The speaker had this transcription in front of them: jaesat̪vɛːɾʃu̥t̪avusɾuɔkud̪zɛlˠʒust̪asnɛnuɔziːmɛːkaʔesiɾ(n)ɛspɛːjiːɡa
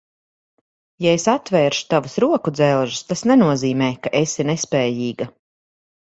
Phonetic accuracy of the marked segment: correct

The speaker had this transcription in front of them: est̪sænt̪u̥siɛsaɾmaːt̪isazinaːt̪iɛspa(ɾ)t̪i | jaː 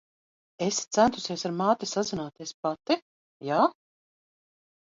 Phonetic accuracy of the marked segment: incorrect: none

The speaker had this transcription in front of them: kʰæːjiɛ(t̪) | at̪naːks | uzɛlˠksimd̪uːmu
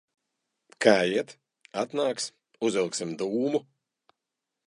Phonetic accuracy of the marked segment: correct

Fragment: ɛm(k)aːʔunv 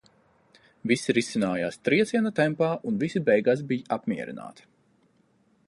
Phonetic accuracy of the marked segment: incorrect: p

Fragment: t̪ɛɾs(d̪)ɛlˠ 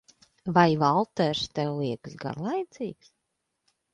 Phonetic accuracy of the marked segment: incorrect: t̪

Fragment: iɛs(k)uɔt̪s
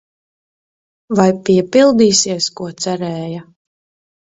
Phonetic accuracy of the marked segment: correct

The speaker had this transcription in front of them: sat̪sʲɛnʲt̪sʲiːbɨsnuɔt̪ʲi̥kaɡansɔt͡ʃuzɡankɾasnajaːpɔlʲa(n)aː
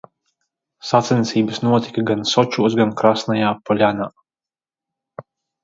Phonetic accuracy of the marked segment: correct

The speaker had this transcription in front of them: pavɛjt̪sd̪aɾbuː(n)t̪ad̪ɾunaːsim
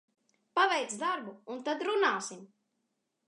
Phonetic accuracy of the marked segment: correct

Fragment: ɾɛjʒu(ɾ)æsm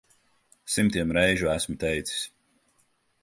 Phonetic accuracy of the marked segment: incorrect: none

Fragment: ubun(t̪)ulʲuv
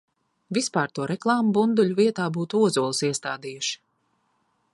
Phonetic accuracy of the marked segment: incorrect: d̪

